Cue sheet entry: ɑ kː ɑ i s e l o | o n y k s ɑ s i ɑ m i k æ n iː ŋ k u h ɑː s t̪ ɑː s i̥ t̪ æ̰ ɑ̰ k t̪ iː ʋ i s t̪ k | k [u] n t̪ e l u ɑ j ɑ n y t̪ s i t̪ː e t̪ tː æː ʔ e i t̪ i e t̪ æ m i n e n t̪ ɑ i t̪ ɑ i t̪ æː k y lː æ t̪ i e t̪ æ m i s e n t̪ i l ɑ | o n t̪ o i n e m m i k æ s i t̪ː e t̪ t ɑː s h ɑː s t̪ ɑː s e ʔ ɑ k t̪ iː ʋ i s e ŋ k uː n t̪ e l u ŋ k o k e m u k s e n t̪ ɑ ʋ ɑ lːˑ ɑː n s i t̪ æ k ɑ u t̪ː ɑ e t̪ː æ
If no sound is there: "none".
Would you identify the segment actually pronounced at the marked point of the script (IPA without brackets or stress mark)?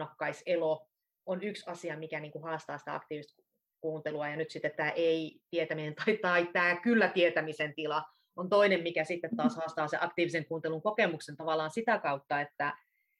uː